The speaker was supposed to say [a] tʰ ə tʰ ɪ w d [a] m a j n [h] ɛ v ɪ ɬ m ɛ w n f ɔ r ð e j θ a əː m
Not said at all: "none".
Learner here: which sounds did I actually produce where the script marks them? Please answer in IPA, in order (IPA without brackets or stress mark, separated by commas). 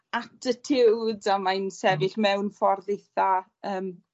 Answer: a, a, s